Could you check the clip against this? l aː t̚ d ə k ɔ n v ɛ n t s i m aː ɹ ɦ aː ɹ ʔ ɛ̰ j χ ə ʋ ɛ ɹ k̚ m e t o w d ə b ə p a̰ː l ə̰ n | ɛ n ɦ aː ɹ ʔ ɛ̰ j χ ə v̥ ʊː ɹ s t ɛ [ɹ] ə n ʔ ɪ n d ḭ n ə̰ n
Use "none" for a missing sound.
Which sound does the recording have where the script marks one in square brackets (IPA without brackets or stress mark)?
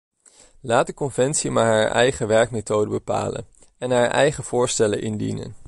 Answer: l